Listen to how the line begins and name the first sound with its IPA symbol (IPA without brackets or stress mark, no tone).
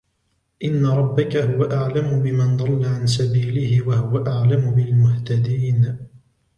ʔ